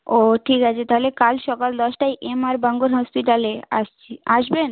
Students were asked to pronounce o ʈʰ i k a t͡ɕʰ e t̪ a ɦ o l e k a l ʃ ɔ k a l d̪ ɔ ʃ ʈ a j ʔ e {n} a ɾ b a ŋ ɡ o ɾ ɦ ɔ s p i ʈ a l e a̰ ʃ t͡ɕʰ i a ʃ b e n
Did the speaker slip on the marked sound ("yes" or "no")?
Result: yes